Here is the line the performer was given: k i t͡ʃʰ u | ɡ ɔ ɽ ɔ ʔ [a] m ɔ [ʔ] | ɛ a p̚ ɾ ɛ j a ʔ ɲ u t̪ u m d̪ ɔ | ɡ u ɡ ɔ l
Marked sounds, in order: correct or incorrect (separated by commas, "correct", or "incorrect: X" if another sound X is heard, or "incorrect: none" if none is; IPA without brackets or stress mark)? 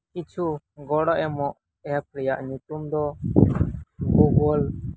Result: incorrect: ɛ, correct